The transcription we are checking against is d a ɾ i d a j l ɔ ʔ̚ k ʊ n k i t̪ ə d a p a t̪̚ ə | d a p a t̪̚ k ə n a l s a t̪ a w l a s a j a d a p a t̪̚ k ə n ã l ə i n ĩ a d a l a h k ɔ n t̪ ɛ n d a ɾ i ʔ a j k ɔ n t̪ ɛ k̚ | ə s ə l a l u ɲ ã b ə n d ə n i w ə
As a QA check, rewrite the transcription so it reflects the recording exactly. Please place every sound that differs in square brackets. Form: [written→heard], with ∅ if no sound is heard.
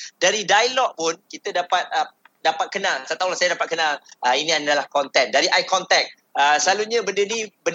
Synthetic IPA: d a ɾ i d a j l ɔ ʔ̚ [k→p] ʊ n k i t̪ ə d a p a t̪̚ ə | d a p a t̪̚ k ə n a l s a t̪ a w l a s a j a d a p a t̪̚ k ə n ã l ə i n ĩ a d a l a h k ɔ n t̪ ɛ n d a ɾ i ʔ a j k ɔ n t̪ ɛ k̚ | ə s ə l a l u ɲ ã b ə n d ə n i [w→b] ə